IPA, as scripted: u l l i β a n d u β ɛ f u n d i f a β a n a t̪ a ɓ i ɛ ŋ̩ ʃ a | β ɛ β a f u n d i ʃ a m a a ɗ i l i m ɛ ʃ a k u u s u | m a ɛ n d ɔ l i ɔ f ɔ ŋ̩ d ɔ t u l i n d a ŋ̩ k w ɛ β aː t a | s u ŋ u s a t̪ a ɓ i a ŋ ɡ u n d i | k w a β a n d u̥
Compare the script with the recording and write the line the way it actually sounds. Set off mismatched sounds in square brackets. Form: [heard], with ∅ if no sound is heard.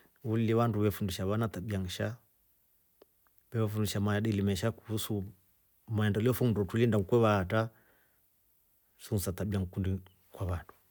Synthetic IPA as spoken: u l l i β a n d u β ɛ f u n d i [ʃ] a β a n a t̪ a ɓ i [a] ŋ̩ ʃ a | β ɛ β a f u n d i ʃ a m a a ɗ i l i m ɛ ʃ a k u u s u | m a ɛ n d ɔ l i ɔ f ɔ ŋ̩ d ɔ t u l i n d a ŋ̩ k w ɛ β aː t a | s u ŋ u s a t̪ a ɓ i a ŋ [k] u n d i | k w a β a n d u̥